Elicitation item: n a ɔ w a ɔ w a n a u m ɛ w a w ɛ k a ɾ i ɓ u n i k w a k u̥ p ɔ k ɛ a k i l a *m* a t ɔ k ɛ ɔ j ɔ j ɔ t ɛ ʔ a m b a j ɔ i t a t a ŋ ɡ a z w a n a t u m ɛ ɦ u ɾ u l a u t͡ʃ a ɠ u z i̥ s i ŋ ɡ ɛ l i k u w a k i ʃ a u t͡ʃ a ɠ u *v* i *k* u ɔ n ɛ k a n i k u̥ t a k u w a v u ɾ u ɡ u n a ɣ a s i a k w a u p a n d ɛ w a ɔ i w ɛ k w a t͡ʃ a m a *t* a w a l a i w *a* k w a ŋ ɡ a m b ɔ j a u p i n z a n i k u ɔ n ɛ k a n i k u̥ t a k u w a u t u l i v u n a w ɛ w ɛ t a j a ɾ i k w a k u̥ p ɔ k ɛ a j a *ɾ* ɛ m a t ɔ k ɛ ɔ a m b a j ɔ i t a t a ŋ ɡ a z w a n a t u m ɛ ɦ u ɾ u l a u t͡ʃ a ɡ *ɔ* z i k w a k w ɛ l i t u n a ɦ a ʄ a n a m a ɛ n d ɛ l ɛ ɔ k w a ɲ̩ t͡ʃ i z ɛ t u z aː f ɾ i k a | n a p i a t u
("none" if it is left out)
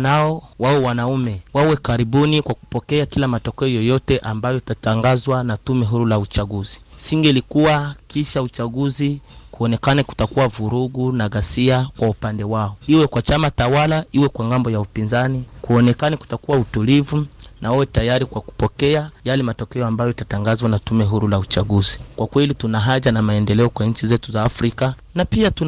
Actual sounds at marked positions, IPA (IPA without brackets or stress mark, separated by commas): m, z, k, t, ɛ, l, u